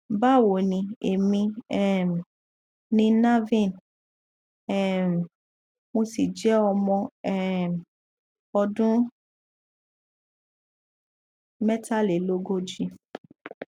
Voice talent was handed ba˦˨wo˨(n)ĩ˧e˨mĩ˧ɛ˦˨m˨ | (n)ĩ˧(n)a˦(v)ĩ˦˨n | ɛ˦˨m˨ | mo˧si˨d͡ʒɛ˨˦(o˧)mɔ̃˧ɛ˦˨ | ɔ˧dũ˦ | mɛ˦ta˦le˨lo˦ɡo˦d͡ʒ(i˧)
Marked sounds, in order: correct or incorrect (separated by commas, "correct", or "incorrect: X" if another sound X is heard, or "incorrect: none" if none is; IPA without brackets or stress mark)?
correct, correct, correct, correct, incorrect: ɔ˧, correct